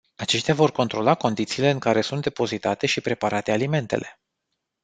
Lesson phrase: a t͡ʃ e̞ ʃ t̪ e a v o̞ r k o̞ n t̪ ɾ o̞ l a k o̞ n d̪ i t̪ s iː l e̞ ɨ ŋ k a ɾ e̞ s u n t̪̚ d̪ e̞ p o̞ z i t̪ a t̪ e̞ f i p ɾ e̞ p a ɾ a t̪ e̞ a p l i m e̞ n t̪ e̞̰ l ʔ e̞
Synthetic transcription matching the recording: a t͡ʃ e̞ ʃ t̪ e a v o̞ r k o̞ n t̪ ɾ o̞ l a k o̞ n d̪ i t̪ s iː l e̞ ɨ ŋ k a ɾ e̞ s u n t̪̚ d̪ e̞ p o̞ z i t̪ a t̪ e̞ ʃ i p ɾ e̞ p a ɾ a t̪ e̞ a l i m e̞ n t̪ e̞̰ l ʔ e̞